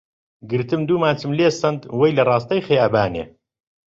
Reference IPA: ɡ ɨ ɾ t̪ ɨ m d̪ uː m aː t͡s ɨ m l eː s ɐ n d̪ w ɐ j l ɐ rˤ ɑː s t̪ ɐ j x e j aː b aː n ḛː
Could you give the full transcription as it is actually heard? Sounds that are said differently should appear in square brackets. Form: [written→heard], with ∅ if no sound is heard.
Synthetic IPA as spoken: ɡ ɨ ɾ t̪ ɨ m d̪ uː m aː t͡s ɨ m l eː s ɐ n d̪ w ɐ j l ɐ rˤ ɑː s t̪ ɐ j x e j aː b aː n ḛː